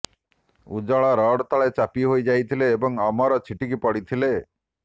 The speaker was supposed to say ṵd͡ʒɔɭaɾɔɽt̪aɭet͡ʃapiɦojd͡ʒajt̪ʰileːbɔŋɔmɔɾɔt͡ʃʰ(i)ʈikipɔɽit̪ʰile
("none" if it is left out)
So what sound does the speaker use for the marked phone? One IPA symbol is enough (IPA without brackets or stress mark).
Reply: i